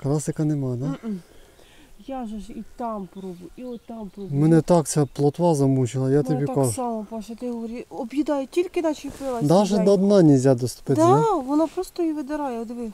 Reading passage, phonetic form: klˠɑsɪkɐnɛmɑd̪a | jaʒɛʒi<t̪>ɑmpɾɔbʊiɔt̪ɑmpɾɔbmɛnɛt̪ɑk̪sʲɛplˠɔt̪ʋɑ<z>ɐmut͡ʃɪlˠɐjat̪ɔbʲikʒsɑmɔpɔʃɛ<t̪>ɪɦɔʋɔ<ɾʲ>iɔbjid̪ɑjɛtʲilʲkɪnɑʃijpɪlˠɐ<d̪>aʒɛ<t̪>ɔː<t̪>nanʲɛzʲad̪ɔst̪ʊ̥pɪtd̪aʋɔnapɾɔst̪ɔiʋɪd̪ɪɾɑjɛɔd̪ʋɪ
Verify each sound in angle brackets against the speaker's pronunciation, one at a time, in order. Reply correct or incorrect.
correct, correct, correct, correct, correct, incorrect, incorrect

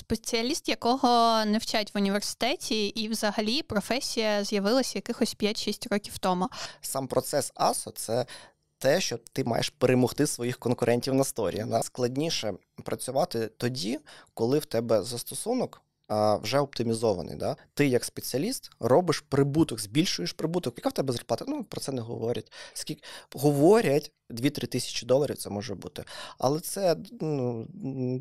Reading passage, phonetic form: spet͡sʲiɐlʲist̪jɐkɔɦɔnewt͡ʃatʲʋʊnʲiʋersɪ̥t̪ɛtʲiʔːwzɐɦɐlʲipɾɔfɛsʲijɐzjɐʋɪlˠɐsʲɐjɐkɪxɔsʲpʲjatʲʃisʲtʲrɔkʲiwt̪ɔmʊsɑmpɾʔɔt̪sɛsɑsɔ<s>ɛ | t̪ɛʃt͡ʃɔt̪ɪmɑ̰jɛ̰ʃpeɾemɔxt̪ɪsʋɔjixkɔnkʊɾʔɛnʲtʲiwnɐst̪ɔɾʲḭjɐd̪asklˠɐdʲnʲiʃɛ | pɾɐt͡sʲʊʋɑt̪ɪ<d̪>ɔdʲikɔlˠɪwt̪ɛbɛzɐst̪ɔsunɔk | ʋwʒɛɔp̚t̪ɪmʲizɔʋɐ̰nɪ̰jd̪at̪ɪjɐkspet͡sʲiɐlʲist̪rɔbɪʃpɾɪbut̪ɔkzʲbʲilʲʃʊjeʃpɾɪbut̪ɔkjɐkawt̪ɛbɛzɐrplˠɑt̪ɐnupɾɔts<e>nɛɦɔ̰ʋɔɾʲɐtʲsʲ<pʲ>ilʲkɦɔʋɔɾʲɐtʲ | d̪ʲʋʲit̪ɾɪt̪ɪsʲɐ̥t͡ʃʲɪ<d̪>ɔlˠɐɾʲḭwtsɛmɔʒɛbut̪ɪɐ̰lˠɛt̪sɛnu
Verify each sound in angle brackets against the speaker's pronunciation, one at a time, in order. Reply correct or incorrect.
correct, incorrect, incorrect, incorrect, correct

